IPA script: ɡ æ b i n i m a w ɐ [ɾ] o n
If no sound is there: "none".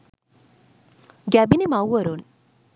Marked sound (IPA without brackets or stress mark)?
ɾ